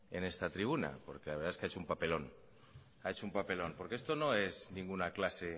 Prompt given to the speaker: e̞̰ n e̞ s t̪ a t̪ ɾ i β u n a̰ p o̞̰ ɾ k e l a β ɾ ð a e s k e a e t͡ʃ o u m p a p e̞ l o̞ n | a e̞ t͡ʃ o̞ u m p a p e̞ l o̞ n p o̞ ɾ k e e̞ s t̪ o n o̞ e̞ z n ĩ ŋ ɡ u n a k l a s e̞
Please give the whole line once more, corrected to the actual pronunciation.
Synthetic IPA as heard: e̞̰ n e̞ s t̪ a t̪ ɾ i β u n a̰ p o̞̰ ɾ k e l a β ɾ ð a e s k e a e t͡ʃ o u m p a p e̞ l o̞ n | a e̞ t͡ʃ o̞ u m p a p e̞ l o̞ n p o̞ ɾ k e e̞ s t̪ o n o̞ e̞ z n ĩ ŋ ɡ u n a k l a s e̞